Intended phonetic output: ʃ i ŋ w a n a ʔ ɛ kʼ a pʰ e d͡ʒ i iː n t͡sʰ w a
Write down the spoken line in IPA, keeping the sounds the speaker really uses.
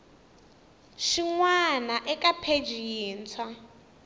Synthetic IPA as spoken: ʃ i ŋ w a n a ʔ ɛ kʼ a pʰ e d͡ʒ i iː n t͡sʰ w a

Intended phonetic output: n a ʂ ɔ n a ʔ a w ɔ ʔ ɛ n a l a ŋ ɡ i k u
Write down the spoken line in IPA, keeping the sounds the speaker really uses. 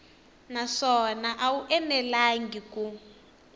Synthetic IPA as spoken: n a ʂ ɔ n a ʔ a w u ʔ ɛ n ɛ l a ŋ ɡ i k u

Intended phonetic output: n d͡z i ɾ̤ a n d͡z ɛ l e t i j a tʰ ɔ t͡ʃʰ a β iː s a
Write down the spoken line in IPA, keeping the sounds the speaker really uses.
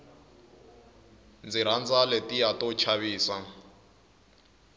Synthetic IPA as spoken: n d͡z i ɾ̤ a n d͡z a l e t i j a t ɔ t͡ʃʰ a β iː s a

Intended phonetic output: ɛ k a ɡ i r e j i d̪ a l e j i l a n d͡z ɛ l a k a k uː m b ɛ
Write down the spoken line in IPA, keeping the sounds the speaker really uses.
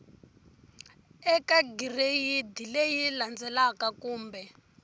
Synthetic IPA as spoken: ɛ k a ɡ i r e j i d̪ i l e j i l a n d͡z ɛ l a k a k uː m b ɛ

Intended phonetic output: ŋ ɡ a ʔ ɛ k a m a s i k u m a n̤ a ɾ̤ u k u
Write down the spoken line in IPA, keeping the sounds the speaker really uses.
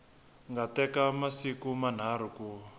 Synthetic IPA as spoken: ŋ ɡ a t ɛ k a m a s i k u m a n̤ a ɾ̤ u k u

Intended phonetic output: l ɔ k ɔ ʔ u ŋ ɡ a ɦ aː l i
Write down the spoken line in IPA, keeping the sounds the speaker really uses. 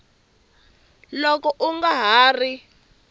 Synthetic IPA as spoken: l ɔ k ɔ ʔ u ŋ ɡ a ɦ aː r i

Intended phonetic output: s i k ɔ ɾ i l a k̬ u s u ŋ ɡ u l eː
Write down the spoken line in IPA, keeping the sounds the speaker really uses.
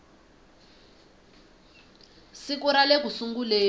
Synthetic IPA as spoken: s i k u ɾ a l e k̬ u s u ŋ ɡ u l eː

